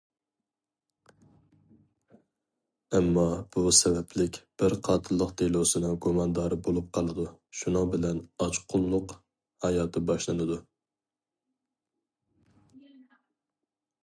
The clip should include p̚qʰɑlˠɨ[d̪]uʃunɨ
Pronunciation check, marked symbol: correct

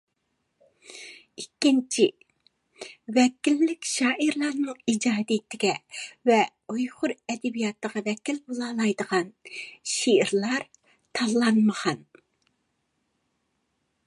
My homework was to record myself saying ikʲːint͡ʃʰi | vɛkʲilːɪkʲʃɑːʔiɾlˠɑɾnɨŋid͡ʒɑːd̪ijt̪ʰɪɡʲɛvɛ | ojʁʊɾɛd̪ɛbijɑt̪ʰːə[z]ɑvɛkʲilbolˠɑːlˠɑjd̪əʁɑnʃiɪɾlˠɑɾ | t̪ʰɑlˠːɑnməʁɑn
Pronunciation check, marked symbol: incorrect: ʁ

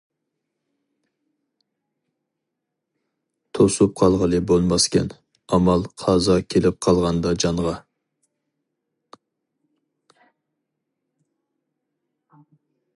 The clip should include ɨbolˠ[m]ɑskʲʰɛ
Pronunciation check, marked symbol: correct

